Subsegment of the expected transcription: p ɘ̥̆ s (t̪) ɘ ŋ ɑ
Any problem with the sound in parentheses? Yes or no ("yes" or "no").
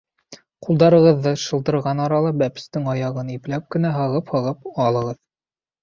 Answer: no